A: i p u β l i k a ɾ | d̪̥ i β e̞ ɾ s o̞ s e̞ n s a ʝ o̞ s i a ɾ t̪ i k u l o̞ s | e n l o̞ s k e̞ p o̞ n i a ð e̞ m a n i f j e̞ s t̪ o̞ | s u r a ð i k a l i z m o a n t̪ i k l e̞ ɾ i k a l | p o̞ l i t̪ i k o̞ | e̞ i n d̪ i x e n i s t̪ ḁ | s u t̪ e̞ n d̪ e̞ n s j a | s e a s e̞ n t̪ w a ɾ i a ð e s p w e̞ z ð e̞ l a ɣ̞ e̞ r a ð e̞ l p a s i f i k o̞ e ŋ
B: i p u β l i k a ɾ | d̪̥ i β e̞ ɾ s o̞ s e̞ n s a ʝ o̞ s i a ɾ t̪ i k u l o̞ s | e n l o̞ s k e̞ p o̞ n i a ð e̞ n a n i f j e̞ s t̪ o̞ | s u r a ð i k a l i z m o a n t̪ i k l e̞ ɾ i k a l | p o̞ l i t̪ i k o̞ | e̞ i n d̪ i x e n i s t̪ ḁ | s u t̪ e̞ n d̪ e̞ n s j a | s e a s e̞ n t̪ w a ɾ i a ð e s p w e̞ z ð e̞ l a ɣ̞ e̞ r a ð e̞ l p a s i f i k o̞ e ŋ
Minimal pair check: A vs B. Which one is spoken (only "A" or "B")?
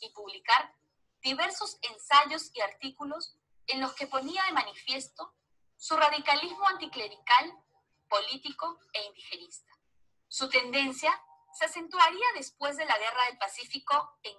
A